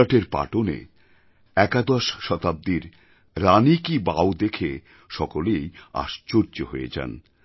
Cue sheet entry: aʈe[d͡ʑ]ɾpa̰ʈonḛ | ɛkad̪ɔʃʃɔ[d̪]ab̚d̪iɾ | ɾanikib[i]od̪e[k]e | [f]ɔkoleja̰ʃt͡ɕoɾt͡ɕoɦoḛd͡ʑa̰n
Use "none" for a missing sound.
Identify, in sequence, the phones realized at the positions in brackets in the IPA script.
none, t̪, a, kʰ, ʃ

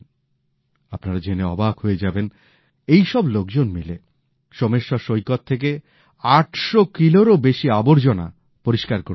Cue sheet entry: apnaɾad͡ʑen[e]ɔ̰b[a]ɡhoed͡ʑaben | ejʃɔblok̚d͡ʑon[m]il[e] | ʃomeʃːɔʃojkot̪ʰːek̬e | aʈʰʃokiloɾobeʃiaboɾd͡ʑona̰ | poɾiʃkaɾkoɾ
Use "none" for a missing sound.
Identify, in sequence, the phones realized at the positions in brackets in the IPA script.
e, a, m, e

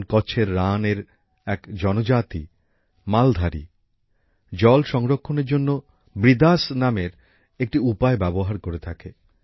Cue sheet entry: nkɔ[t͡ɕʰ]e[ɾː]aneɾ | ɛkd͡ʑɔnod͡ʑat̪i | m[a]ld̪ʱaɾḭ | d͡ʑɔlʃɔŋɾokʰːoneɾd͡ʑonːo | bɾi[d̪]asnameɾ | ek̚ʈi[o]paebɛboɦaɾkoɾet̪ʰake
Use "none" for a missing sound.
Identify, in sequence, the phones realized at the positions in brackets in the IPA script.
t͡ɕʰ, ɾː, a, d̪, u

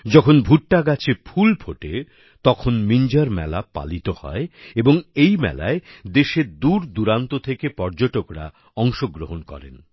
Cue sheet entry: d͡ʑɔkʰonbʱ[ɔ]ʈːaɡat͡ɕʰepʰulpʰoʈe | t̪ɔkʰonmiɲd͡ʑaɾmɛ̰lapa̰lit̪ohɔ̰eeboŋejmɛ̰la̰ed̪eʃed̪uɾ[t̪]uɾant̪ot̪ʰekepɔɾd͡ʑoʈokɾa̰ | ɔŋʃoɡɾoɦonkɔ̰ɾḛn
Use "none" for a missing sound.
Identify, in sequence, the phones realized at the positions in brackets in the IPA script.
u, d̪

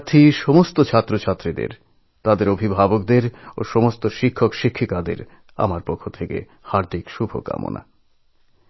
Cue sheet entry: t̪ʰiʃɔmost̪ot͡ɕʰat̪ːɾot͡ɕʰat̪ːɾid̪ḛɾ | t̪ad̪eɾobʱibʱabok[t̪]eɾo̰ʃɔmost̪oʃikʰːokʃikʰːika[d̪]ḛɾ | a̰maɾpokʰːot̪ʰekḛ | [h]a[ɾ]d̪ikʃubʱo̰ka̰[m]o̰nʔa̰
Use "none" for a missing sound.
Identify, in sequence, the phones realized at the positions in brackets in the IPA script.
d̪, d̪, h, ɾ, m

